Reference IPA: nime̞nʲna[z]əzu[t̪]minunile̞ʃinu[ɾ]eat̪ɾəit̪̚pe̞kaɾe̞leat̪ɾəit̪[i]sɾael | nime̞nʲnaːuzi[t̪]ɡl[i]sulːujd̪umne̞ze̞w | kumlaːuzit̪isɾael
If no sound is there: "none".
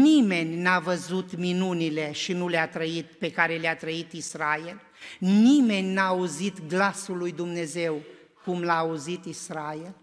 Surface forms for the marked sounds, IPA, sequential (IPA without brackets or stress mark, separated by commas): v, t̪, l, i, t̪, a